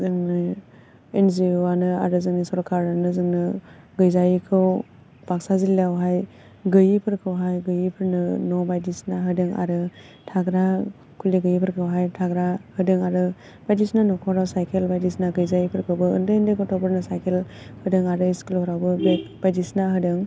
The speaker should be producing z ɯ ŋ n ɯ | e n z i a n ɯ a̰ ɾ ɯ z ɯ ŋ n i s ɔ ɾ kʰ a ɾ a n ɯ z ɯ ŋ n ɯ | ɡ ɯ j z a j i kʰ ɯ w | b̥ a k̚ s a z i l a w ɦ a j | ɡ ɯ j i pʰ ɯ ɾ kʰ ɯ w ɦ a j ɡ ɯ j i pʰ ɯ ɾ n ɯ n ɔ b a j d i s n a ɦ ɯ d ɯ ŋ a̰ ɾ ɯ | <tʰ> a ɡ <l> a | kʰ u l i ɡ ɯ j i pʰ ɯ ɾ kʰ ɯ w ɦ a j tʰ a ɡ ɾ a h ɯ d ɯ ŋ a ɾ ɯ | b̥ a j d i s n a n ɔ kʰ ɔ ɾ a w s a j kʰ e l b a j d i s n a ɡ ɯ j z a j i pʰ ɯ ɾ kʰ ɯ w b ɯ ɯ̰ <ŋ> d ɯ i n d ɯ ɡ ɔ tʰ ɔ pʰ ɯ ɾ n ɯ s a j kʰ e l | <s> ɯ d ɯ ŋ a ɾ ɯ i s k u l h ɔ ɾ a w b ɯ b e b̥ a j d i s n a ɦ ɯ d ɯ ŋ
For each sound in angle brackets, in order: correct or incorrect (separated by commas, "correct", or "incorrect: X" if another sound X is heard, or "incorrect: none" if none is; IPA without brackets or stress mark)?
correct, incorrect: ɾ, incorrect: n, incorrect: h